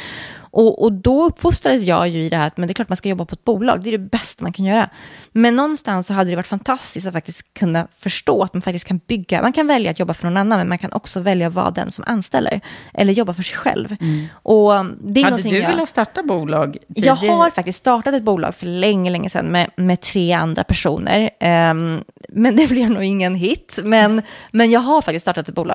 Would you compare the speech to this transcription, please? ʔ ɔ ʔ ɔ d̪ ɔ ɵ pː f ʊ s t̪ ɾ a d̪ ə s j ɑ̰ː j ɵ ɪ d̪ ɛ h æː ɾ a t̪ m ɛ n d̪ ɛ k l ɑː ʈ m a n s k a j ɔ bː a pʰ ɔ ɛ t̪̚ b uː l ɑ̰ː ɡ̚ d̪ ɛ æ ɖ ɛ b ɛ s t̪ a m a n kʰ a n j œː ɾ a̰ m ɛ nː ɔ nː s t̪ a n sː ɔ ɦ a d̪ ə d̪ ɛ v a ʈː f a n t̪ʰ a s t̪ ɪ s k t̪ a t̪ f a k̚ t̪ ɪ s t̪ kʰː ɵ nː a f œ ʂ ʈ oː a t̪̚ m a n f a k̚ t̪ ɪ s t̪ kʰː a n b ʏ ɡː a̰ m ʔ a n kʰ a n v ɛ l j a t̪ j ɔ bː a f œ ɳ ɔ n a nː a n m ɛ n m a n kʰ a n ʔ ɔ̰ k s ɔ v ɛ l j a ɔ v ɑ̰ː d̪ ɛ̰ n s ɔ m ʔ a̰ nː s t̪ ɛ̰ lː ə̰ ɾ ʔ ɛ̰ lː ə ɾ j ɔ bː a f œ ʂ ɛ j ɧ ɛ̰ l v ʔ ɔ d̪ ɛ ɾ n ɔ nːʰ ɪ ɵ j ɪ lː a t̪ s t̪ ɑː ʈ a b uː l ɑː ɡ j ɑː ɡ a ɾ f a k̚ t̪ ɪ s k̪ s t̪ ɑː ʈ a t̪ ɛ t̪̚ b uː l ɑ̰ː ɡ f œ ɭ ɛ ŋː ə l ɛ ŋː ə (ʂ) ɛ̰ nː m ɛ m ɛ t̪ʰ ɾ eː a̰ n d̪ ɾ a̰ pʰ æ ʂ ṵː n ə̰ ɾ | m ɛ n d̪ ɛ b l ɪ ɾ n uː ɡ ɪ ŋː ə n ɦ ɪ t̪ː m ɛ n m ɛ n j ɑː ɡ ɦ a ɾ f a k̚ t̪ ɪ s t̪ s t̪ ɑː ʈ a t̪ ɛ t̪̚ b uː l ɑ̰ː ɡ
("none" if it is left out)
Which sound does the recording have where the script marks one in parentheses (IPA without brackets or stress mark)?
s